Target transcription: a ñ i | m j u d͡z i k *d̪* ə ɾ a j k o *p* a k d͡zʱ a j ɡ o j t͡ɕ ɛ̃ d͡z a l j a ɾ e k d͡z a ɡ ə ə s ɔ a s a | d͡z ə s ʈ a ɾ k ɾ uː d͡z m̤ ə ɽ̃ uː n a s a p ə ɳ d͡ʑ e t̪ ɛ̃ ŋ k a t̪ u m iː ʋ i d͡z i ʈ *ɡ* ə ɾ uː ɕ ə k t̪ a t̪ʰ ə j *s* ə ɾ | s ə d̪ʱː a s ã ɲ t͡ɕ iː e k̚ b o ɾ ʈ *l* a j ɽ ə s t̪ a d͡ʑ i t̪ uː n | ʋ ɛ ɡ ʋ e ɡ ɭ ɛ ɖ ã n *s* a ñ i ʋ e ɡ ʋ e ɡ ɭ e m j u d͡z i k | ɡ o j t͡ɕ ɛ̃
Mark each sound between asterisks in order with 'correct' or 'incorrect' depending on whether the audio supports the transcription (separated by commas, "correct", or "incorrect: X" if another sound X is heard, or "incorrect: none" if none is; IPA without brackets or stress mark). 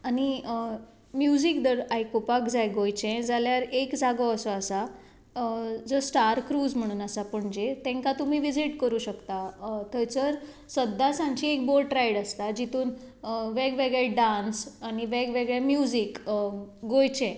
correct, correct, incorrect: k, incorrect: t͡s, incorrect: ɾ, correct